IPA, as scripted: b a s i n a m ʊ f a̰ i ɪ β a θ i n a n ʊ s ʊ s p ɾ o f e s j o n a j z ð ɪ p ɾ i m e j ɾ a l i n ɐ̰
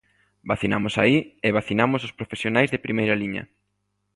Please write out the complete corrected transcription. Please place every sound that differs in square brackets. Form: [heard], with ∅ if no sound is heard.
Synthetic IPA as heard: b a [θ] i n a m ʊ [s] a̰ i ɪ β a θ i n a [m] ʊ s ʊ s p ɾ o f e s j o n a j z ð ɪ p ɾ i m e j ɾ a l i [ɲ] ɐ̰